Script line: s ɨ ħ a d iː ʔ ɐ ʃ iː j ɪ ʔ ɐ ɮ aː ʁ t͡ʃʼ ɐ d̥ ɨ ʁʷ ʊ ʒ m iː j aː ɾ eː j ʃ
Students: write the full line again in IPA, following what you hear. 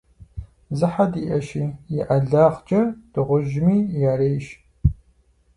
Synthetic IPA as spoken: z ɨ ħ a d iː ʔ ɐ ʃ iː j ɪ ʔ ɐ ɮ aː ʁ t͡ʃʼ ɐ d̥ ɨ ʁʷ ʊ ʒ m iː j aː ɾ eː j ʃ